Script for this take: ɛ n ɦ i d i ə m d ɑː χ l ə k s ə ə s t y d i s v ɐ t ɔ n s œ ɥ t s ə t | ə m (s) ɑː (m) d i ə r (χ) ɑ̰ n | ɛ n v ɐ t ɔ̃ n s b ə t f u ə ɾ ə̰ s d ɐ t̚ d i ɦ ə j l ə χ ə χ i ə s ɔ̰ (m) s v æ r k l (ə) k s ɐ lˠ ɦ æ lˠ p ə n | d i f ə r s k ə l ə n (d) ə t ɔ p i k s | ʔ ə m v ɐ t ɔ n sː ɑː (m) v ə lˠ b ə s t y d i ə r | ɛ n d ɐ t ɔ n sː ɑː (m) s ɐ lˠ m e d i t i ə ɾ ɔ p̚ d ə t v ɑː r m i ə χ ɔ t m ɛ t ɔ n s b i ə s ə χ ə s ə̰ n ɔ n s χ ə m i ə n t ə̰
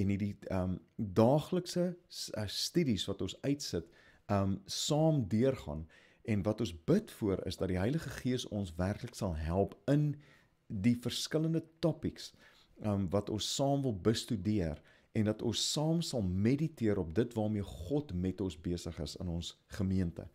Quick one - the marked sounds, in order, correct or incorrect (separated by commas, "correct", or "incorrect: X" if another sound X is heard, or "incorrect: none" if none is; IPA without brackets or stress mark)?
correct, correct, correct, incorrect: n, correct, correct, correct, correct